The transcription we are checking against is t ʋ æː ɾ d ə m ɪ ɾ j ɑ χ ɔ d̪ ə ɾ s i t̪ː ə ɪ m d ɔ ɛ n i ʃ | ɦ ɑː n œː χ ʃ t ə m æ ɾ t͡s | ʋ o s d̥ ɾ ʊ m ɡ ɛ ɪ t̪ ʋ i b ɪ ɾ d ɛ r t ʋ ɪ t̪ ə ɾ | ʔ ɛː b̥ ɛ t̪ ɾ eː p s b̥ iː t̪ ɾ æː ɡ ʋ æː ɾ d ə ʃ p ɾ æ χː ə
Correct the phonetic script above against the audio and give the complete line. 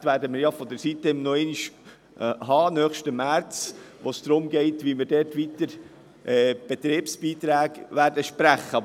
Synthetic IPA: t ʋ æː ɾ d ə m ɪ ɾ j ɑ f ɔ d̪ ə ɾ s i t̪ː ə ɪ m n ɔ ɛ n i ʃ | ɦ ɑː n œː χ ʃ t ə m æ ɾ t͡s | ʋ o s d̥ ɾ ʊ m ɡ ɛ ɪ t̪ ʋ i m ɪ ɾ d ɛ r t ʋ i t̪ ə ɾ | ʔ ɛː b̥ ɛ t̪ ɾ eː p s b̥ iː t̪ ɾ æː ɡ ʋ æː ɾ d ə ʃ p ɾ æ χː ə